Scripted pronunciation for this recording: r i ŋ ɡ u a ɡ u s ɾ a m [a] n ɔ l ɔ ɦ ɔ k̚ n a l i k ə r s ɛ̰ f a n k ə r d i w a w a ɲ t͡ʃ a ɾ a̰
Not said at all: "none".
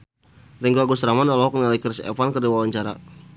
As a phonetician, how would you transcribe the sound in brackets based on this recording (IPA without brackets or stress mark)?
a